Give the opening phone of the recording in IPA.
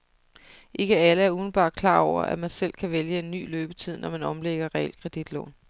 ʔ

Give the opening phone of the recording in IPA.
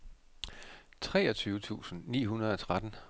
t͡sʰ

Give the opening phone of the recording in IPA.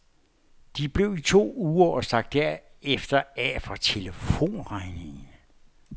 d̥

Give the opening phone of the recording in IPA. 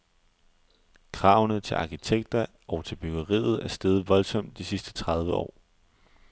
kʰ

